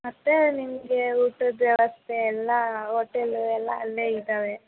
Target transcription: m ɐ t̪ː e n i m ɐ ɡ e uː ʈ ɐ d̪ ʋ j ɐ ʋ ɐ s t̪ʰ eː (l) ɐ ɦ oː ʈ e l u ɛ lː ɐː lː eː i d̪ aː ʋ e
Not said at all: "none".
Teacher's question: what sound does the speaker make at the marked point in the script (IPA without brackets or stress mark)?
lː